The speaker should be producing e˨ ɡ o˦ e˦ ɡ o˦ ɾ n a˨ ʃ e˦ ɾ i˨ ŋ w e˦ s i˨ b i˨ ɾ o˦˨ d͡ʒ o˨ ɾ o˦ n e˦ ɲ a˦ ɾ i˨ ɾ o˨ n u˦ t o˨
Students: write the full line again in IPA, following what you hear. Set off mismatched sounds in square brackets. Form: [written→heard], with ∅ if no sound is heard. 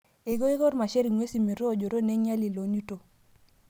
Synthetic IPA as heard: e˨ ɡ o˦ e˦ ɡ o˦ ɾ [n→m] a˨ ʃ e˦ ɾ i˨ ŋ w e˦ s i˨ [b→m] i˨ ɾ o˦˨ d͡ʒ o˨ ɾ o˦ n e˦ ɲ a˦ [ɾ→l] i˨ [ɾ→l] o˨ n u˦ t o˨